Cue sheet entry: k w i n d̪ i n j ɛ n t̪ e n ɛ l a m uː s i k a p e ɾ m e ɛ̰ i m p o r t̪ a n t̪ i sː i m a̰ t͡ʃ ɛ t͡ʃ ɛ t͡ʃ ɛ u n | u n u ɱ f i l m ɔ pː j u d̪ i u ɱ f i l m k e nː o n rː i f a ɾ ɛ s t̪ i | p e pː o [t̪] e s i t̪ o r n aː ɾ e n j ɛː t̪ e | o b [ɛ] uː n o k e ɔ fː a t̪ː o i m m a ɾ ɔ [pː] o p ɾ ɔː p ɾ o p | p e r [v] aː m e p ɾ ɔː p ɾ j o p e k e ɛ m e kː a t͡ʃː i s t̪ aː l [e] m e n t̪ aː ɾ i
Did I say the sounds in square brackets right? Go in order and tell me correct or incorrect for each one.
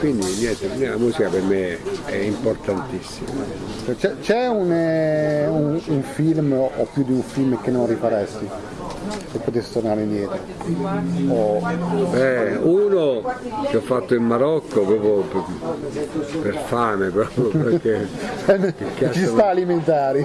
correct, correct, incorrect: kː, incorrect: f, incorrect: i

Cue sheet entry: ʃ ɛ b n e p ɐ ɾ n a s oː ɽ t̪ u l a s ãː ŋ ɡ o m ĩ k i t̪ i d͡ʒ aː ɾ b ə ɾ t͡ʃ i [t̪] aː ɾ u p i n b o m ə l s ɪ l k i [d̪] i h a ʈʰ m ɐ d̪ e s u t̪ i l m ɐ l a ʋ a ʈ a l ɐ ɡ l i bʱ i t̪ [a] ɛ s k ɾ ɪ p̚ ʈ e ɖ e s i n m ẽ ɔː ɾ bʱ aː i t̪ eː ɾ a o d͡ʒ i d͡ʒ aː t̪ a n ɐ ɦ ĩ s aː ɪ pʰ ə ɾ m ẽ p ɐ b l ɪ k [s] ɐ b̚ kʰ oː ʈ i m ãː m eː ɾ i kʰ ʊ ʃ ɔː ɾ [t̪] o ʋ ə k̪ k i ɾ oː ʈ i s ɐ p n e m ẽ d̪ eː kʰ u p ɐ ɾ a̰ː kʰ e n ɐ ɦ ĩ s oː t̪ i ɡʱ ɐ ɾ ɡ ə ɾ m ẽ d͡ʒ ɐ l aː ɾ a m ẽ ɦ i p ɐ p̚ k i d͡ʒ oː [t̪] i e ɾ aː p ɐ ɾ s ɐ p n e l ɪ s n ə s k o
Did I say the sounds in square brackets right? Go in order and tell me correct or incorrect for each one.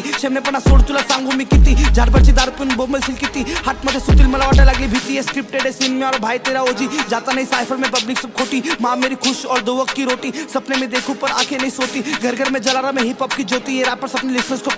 incorrect: d̪, incorrect: t̪, incorrect: i, correct, incorrect: d̪, correct

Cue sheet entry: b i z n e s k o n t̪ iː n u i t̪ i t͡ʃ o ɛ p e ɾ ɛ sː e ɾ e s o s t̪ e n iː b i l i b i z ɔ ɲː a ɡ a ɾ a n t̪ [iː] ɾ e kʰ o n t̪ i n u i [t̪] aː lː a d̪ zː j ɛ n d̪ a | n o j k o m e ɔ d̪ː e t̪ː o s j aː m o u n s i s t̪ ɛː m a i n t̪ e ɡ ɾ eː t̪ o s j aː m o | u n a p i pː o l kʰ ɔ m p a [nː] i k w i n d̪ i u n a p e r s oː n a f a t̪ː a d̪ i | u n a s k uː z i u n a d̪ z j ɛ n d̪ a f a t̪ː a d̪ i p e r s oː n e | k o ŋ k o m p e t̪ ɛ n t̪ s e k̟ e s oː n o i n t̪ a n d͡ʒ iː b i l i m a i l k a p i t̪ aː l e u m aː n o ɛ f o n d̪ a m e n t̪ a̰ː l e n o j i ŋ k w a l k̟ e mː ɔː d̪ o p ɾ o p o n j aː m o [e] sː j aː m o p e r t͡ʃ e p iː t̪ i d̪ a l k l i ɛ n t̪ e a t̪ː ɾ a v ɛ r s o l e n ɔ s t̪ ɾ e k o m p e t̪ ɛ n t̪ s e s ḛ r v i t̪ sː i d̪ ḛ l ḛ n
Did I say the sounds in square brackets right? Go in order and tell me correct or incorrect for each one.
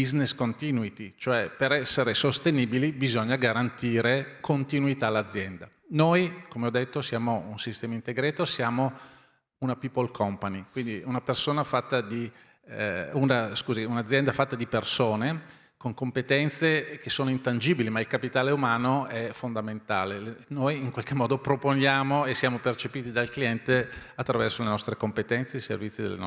correct, correct, incorrect: n, correct

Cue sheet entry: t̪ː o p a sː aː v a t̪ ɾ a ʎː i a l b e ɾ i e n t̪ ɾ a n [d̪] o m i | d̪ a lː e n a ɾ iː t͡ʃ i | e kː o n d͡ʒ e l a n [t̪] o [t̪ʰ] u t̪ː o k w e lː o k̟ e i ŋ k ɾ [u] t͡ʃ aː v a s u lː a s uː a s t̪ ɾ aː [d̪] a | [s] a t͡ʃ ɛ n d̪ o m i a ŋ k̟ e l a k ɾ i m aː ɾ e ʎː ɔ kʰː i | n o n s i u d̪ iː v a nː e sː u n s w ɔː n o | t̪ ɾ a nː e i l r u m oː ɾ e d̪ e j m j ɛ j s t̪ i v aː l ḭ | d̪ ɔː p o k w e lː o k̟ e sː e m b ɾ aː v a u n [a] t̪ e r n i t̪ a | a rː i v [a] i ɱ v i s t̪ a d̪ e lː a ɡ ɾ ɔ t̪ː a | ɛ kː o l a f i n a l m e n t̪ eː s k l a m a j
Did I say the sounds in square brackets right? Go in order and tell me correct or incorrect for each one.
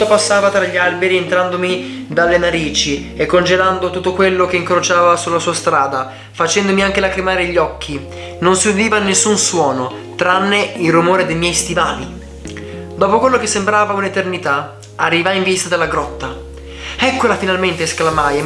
correct, incorrect: d̪, incorrect: t̪, incorrect: o, correct, incorrect: f, incorrect: e, correct

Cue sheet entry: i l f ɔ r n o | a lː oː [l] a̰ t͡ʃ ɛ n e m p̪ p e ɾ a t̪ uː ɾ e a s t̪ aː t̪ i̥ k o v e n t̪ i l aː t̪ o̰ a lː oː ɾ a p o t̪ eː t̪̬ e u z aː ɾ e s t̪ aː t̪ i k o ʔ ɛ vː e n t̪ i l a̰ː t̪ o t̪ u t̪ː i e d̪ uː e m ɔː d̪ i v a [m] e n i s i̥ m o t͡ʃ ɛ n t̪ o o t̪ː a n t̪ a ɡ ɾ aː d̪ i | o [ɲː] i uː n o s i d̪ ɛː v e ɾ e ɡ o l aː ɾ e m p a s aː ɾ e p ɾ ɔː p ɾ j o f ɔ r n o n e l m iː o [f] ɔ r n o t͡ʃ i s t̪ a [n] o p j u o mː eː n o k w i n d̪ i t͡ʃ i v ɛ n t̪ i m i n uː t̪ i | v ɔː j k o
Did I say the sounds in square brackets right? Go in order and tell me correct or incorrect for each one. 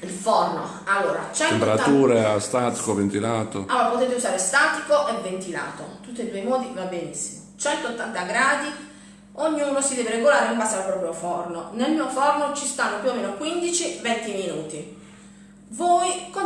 incorrect: ɾ, incorrect: b, correct, correct, incorrect: nː

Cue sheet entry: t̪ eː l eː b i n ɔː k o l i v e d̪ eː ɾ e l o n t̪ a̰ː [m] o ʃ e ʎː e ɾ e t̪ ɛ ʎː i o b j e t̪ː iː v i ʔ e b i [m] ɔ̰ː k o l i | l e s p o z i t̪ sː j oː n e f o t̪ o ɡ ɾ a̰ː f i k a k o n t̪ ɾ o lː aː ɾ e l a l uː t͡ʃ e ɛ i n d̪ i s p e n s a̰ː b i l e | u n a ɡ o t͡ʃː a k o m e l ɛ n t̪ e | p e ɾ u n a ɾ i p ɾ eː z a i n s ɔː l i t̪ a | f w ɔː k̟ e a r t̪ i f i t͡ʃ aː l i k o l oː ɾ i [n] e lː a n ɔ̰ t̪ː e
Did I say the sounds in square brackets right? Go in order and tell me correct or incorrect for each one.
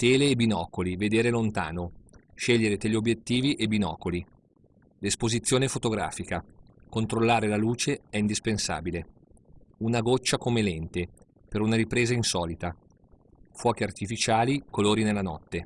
incorrect: n, incorrect: n, correct

